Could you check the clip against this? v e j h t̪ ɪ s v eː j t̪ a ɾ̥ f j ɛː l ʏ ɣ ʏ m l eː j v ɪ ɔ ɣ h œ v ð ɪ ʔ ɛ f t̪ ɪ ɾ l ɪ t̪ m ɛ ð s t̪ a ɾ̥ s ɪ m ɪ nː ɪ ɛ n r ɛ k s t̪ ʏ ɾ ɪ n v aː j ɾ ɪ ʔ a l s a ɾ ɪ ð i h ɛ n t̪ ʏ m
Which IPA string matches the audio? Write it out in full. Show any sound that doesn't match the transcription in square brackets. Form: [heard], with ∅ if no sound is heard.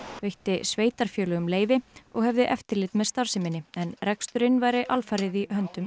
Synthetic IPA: v e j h t̪ ɪ s v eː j t̪ a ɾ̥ f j [œː] l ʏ ɣ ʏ m l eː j v ɪ ɔ ɣ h [ɛ] v ð ɪ ʔ ɛ f t̪ ɪ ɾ l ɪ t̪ m ɛ ð s t̪ a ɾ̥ s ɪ m ɪ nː ɪ ɛ n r ɛ k s t̪ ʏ ɾ ɪ n v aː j ɾ ɪ ʔ a l [f] a ɾ ɪ ð i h [œ] n t̪ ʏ m

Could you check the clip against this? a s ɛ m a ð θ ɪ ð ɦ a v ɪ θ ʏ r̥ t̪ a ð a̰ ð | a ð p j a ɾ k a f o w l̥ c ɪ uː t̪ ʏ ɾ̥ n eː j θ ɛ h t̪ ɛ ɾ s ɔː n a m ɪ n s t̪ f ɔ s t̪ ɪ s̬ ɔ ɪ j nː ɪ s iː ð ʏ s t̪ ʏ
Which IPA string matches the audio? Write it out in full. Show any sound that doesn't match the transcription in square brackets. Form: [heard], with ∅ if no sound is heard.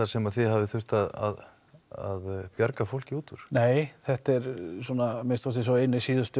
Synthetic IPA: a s ɛ m a ð θ ɪ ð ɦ a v ɪ θ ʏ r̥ t̪ a ð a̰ ð | a ð p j a ɾ k a f o w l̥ c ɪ uː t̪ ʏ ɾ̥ n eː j θ ɛ h t̪ ɛ ɾ s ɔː n a m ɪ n s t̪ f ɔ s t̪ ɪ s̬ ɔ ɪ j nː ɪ s iː ð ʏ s t̪ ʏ

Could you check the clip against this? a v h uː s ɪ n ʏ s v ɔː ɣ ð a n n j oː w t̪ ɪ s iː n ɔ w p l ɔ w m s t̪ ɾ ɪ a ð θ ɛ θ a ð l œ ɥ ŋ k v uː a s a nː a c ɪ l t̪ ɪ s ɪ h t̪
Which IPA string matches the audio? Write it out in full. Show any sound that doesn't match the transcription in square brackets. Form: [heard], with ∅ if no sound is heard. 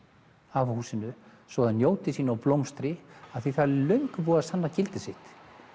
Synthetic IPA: a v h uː s ɪ n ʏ s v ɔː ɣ ð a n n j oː w t̪ ɪ s iː n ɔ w p l [o] w m s t̪ ɾ ɪ a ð θ [i] θ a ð l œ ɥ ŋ k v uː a s a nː a c ɪ l t̪ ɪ s ɪ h t̪

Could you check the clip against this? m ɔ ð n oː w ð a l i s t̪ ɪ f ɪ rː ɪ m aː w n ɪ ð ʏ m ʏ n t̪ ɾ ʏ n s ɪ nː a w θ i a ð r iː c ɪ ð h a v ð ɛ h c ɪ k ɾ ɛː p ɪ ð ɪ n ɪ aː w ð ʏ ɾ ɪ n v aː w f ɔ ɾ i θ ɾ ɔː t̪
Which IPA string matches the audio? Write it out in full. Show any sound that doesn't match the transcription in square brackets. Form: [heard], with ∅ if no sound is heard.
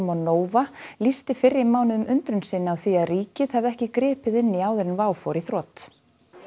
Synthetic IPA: m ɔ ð n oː w [v] a l i s t̪ ɪ f ɪ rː ɪ m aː w n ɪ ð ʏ m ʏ n t̪ ɾ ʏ n s ɪ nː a w θ i a ð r iː c ɪ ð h a v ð ɛ h c ɪ k ɾ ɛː p ɪ ð ɪ [nː] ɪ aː w ð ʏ ɾ ɪ n v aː w f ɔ ɾ i θ ɾ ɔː t̪

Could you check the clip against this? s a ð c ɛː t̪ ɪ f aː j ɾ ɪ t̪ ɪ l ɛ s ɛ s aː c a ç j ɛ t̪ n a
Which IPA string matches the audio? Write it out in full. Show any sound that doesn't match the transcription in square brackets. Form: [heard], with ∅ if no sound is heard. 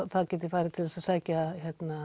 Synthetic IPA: [θ] a ð c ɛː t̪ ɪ f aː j ɾ ɪ [t̪ʰ] ɪ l ɛ s [a] s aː c a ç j ɛ t̪ n a

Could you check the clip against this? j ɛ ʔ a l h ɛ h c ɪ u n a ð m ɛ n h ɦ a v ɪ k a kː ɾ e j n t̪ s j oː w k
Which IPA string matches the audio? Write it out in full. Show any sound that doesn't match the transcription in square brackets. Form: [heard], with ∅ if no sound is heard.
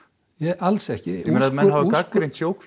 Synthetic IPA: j ɛ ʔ a l [s] ɛ h c ɪ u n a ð m ɛ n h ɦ a v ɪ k a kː ɾ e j n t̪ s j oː w k

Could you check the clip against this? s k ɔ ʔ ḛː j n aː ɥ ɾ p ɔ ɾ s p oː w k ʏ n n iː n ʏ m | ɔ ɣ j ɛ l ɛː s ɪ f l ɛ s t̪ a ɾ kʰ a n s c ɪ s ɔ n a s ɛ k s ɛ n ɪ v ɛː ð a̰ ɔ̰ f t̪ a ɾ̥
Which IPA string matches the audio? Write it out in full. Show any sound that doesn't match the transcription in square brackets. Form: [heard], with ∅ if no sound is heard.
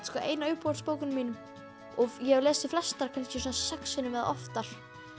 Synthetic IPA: s k ɔ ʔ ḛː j n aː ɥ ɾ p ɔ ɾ s p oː w k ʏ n [m] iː n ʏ m | ɔ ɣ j ɛ l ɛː s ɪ f l ɛ s t̪ a ɾ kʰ a n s c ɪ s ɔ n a s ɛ k s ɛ n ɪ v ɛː ð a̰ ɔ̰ f t̪ a ɾ̥

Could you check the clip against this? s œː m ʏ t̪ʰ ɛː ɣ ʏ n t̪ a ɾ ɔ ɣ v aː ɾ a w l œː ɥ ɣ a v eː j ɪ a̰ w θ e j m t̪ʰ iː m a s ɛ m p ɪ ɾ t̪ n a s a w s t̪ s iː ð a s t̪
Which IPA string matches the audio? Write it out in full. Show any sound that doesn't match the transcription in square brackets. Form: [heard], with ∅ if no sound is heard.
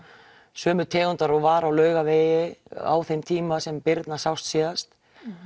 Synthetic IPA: s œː m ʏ t̪ʰ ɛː ɣ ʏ n t̪ a ɾ ɔ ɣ v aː ɾ a w l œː ɥ ɣ a v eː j ɪ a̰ w θ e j m t̪ʰ iː m a s ɛ m p ɪ ɾ t̪ n a s a w s t̪ s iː ð a s t̪

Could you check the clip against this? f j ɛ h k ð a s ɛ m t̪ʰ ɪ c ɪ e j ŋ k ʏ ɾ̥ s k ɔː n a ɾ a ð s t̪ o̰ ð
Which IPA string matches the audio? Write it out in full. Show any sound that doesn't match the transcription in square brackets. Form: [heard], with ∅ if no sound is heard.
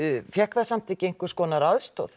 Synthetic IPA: f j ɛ h k ð a s [a] m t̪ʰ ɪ c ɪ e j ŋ k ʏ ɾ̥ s k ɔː n a ɾ a ð s t̪ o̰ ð

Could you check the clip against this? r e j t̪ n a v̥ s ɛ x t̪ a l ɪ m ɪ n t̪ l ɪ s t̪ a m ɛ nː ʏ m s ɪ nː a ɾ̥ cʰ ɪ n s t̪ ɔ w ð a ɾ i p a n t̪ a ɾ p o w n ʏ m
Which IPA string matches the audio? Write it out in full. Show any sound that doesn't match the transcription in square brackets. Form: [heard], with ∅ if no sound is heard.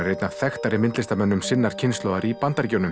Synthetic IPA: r e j t̪ n a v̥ [θ] ɛ x t̪ a [ɾ] ɪ m ɪ n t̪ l ɪ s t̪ a m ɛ nː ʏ m s ɪ nː a ɾ̥ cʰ ɪ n s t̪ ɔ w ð a ɾ i p a n t̪ a ɾ [c] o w n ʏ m

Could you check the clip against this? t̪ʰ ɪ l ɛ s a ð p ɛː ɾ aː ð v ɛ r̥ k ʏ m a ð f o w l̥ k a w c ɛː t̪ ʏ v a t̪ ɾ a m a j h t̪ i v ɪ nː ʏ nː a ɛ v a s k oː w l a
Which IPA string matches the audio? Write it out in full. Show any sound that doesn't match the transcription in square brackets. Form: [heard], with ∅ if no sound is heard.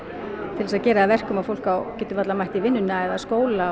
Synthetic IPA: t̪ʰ ɪ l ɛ s a ð [c] ɛː ɾ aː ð v ɛ r̥ k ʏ m a ð f o w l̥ k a w c ɛː t̪ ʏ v a t̪ [l] a m a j h t̪ i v ɪ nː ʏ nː a ɛ [ð] a s k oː w l a

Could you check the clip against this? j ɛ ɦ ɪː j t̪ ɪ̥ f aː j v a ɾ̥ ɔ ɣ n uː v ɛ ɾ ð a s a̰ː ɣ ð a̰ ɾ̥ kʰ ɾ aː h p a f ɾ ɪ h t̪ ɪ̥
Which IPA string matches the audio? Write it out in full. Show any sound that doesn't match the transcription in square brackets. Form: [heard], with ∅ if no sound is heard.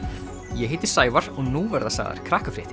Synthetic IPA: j ɛ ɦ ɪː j t̪ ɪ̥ [s] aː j v a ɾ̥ ɔ ɣ n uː v ɛ ɾ ð a s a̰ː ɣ ð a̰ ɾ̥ kʰ ɾ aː h [k] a f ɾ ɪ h t̪ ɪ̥

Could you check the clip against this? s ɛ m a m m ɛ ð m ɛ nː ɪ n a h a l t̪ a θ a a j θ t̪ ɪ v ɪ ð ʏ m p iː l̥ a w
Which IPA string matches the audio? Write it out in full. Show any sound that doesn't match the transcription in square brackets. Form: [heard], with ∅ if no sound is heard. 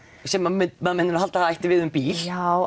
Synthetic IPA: s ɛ m a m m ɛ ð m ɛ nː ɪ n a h a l t̪ a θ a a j [h] t̪ ɪ v ɪ ð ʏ m p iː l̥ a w

